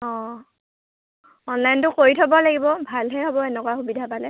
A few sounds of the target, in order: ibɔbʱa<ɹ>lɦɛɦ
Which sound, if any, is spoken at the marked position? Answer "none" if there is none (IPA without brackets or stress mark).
none